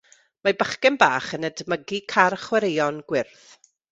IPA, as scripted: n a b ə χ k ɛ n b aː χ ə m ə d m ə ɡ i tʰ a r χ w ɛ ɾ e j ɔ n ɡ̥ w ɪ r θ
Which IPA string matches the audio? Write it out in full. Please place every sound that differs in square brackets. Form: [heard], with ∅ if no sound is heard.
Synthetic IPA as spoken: [m] a b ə χ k ɛ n b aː χ ə [n] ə d m ə ɡ i [kʰ] a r χ w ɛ ɾ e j ɔ n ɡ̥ w ɪ r θ